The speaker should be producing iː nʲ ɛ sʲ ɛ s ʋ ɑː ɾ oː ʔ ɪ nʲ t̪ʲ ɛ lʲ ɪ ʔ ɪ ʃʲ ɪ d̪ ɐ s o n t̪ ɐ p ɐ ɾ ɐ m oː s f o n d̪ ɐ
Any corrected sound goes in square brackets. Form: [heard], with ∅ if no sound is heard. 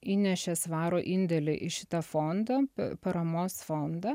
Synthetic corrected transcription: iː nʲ ɛ [ʃʲ] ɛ s ʋ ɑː ɾ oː ʔ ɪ nʲ [d̪ʲ] ɛ lʲ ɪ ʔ ɪ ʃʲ ɪ [t̪] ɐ [f] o n [d̪] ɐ p ɐ ɾ ɐ m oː s f o n d̪ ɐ